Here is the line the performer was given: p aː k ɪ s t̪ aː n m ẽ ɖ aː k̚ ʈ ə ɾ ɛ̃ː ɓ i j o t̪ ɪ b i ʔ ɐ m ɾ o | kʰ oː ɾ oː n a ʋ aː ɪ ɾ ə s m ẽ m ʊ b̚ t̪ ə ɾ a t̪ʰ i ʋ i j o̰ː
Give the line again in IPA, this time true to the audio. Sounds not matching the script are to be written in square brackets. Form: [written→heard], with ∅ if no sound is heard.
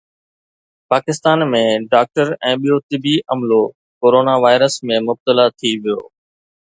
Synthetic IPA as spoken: p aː k ɪ s t̪ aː n m ẽ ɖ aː k̚ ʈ ə ɾ ɛ̃ː ɓ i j o t̪ ɪ b i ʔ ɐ m [ɾ→l] o | [kʰ→k] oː ɾ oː n a ʋ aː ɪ ɾ ə s m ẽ m ʊ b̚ t̪ ə [ɾ→l] a t̪ʰ i ʋ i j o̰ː